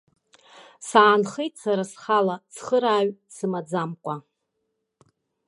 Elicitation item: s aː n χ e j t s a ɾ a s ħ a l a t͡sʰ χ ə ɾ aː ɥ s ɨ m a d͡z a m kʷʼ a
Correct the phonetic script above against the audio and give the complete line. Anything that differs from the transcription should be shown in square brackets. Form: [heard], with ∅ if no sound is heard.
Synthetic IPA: s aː n χ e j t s a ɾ a s [χ] a l a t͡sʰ χ ə ɾ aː ɥ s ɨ m a d͡z a m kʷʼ a